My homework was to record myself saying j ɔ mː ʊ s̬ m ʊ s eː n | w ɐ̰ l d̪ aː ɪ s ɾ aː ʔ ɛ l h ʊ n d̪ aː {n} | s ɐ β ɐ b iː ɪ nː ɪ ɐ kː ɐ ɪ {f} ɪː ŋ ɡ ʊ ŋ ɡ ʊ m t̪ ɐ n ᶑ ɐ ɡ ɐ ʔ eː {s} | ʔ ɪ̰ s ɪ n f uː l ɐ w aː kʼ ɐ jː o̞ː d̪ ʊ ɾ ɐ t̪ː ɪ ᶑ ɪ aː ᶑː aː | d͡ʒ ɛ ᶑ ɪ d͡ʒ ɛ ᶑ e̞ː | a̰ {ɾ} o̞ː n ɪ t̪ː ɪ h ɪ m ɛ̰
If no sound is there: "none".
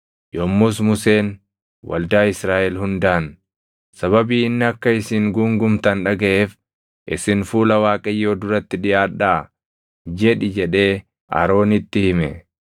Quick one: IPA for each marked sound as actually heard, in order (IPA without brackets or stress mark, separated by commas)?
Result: n, s, f, ɾ